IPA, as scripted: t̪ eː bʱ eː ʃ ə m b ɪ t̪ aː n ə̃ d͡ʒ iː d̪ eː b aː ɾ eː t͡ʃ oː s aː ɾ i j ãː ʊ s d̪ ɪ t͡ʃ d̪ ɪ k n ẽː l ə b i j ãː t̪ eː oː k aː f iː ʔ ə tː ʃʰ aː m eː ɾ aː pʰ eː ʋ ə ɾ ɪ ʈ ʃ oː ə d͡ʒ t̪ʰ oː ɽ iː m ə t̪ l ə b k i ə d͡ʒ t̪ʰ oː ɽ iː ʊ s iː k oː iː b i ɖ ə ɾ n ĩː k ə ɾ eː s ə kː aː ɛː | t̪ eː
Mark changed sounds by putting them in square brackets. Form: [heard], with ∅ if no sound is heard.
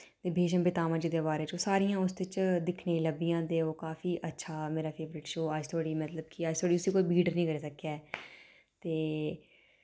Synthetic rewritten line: t̪ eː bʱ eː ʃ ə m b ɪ t̪ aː [m] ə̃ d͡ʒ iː d̪ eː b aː ɾ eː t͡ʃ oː s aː ɾ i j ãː ʊ s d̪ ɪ t͡ʃ d̪ ɪ [kʰ] n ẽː l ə b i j ãː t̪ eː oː k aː f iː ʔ ə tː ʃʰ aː m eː ɾ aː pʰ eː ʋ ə ɾ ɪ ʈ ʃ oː ə d͡ʒ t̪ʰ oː ɽ iː m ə t̪ l ə b k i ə d͡ʒ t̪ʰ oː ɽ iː ʊ s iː k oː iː b [iː] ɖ ə ɾ n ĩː k ə ɾ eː s ə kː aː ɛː | t̪ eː